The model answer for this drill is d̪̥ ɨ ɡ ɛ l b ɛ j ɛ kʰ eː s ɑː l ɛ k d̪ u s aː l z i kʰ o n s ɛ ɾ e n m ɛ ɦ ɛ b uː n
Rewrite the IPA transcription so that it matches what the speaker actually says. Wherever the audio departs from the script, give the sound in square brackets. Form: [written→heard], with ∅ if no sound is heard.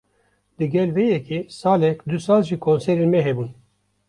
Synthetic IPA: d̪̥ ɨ ɡ ɛ l [b→v] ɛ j ɛ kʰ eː s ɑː l ɛ k d̪ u s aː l [z→ʒ] i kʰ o n s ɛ ɾ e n m ɛ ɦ ɛ b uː n